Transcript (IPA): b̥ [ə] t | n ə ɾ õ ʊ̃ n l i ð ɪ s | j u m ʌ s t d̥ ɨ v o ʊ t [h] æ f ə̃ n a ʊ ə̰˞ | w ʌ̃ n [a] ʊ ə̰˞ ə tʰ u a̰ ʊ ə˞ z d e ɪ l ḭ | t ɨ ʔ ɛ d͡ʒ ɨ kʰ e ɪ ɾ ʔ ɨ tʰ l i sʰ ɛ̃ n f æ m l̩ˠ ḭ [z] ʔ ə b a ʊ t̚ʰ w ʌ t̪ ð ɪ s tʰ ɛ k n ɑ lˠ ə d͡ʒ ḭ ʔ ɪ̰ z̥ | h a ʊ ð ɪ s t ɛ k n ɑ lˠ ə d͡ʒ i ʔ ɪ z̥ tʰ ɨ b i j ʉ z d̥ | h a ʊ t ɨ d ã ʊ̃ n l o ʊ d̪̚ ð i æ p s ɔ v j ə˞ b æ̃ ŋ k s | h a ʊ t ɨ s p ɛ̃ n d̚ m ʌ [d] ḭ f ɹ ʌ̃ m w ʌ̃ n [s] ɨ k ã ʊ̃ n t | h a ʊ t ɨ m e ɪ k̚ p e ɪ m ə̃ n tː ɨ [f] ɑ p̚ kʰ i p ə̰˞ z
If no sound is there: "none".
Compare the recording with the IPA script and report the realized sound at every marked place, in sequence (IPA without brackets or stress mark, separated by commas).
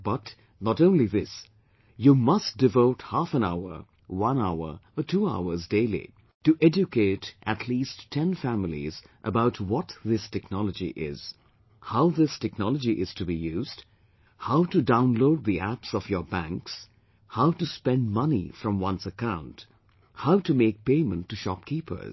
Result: ʌ, h, a, z, n, s, ʃ